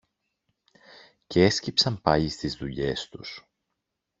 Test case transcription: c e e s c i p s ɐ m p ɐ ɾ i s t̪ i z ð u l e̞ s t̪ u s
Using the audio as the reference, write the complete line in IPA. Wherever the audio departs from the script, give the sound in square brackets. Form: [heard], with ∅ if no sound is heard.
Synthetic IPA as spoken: c e e s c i p s ɐ m p ɐ [ʎ] i s t̪ i z ð u [ʎ] e̞ s t̪ u s